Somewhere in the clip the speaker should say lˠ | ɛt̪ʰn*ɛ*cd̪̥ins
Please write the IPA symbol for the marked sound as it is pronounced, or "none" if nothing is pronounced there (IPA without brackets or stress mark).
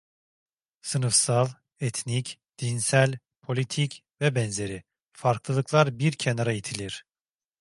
i